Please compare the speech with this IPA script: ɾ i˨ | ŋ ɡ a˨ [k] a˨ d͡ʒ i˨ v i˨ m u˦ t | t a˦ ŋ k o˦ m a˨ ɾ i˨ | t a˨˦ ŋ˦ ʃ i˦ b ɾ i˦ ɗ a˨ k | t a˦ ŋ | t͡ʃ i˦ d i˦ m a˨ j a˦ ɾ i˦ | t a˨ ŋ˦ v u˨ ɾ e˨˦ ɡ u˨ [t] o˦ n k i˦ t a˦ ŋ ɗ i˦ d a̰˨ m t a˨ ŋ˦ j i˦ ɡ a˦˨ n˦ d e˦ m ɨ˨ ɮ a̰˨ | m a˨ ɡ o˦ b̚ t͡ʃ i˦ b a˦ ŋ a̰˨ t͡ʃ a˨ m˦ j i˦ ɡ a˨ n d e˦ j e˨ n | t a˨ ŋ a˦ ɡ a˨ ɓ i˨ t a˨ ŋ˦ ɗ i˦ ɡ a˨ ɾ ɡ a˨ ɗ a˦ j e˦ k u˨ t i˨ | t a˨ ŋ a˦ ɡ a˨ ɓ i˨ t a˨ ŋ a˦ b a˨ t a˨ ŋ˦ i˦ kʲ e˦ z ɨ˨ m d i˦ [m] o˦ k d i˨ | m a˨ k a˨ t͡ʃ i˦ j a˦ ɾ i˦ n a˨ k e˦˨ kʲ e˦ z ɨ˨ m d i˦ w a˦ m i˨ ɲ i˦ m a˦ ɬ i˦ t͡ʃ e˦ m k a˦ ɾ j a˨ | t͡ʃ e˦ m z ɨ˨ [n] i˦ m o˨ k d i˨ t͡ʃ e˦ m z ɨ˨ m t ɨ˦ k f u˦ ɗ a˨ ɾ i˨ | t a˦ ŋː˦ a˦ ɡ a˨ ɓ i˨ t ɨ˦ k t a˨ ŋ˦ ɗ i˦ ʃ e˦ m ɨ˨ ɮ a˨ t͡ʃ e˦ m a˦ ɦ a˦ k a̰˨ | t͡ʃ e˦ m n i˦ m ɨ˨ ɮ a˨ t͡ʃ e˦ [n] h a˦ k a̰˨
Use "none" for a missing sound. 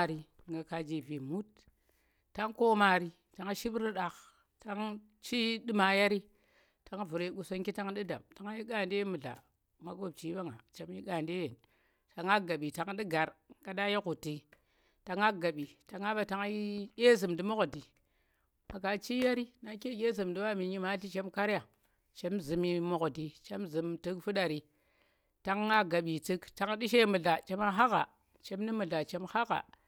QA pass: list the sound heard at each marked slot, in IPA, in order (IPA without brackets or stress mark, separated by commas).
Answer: k, s, m, m, m